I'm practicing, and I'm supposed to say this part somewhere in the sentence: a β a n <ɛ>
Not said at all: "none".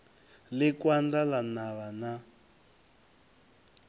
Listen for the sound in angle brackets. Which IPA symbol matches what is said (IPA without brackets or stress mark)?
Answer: a